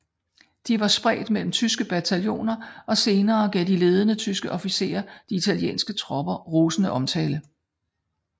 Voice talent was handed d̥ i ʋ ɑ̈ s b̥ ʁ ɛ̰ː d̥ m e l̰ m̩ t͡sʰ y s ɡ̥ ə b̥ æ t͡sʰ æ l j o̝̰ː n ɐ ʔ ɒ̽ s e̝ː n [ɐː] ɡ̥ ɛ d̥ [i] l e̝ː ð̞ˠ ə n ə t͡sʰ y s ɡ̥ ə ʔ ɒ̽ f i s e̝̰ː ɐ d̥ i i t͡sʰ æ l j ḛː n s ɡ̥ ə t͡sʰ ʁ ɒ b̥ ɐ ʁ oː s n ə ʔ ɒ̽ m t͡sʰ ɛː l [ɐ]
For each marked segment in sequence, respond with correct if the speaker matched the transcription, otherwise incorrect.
correct, correct, incorrect: ə

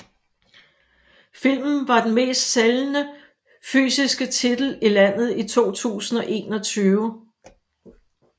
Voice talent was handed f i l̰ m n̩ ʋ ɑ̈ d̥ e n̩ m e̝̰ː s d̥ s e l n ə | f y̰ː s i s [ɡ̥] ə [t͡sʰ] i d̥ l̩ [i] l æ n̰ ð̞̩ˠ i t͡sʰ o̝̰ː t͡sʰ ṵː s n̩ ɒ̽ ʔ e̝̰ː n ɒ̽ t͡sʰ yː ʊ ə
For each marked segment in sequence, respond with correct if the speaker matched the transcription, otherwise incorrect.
correct, correct, correct

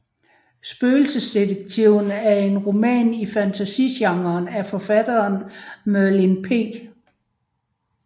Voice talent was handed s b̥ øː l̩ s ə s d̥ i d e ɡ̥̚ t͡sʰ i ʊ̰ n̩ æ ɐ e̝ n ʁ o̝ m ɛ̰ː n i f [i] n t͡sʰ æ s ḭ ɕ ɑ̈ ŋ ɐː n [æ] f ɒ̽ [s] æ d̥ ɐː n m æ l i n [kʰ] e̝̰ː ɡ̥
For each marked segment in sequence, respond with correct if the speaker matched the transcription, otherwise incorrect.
incorrect: æ, correct, incorrect: f, incorrect: pʰ

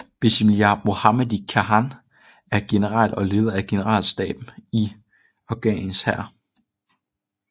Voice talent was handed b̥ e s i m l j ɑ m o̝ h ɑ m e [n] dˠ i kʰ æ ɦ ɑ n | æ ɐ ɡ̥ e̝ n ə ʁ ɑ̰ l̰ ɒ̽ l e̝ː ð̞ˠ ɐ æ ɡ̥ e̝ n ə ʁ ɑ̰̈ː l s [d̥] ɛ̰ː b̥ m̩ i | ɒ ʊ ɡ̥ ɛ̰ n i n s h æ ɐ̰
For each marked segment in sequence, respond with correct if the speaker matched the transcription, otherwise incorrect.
incorrect: none, correct

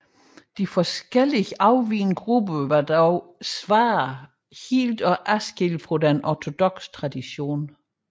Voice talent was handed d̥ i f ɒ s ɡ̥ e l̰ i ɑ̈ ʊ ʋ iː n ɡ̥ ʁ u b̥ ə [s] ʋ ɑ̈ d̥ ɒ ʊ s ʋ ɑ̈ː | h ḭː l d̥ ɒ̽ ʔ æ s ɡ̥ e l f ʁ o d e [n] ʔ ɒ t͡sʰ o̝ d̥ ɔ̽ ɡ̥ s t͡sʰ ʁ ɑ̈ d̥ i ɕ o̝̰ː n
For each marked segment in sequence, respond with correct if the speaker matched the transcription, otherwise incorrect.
incorrect: none, correct

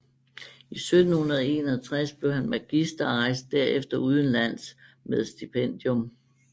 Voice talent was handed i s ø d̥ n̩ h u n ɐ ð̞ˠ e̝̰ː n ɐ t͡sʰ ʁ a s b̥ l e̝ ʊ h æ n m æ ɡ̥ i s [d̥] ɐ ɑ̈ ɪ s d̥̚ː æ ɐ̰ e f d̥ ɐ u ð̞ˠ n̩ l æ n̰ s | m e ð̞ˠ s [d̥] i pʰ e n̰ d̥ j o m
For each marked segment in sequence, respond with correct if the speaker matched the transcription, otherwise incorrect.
correct, correct

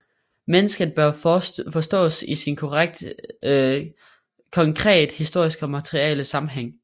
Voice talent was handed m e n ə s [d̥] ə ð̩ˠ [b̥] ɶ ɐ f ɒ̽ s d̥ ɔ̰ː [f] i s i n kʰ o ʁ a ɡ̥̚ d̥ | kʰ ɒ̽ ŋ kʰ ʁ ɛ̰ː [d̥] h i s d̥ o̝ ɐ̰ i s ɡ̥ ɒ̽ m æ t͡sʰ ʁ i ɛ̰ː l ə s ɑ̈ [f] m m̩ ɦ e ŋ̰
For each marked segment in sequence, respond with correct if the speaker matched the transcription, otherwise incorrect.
incorrect: ɡ̥, correct, incorrect: s, correct, incorrect: none

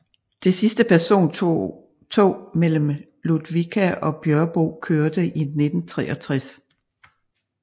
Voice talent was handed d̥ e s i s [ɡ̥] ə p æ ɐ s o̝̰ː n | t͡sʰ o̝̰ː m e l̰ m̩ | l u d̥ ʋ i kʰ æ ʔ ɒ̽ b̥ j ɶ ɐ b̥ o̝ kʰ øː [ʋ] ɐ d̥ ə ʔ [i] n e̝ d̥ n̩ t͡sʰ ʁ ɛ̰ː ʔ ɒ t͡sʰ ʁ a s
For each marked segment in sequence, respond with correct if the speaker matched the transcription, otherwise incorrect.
incorrect: d̥, incorrect: none, correct

